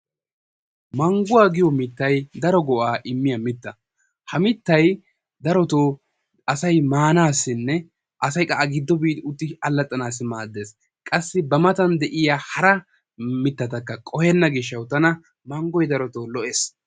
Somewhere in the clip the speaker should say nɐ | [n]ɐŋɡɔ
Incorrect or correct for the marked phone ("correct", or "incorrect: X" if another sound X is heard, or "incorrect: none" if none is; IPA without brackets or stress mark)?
incorrect: m